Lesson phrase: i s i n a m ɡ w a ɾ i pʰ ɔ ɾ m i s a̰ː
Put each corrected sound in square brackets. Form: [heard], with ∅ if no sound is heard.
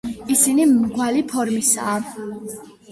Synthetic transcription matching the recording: i s i n [i] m ɡ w a [l] i pʰ ɔ ɾ m i s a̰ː